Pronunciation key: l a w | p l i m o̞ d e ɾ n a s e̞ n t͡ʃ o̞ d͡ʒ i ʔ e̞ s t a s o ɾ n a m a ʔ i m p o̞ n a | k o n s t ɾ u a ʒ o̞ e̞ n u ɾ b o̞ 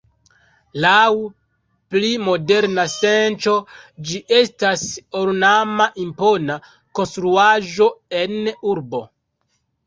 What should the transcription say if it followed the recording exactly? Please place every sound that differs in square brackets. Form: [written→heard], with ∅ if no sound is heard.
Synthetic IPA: l a w | p l i m o̞ d e ɾ n a s e̞ n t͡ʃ o̞ d͡ʒ i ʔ e̞ s t a s o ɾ n a m a ʔ i m p o̞ n a | k o n s t ɾ u a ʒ o̞ e̞ n u ɾ b o̞